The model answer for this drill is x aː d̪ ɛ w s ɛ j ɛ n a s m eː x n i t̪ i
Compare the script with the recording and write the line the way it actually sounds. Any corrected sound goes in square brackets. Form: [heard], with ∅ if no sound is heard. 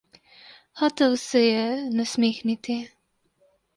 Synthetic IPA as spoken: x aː [t̪] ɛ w s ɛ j ɛ n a s m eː x n i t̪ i